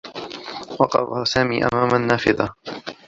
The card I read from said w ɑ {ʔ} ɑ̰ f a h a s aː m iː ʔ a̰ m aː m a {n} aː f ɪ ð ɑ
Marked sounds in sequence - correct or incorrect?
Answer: incorrect: q, incorrect: nː

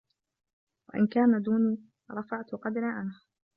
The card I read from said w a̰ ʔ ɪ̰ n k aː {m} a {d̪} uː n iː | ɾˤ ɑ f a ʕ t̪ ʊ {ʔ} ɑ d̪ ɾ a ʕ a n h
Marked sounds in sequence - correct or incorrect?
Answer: incorrect: n, correct, incorrect: q

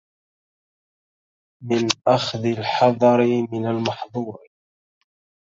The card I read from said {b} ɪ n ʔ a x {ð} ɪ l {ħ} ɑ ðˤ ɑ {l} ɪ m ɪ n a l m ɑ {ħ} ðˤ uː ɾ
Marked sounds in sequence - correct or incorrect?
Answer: incorrect: m, correct, correct, incorrect: ɾ, correct

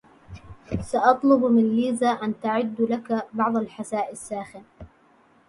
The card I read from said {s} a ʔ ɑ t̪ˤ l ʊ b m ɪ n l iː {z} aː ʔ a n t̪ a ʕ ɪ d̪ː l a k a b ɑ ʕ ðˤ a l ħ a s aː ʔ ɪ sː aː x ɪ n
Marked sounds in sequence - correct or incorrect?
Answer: correct, correct

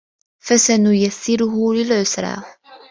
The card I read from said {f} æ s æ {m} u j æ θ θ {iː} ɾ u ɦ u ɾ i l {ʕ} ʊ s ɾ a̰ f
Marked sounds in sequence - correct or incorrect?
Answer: correct, incorrect: n, incorrect: i, correct

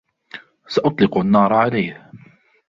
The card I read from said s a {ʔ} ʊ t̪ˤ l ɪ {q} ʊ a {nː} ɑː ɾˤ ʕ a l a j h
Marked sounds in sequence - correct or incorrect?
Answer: correct, correct, correct

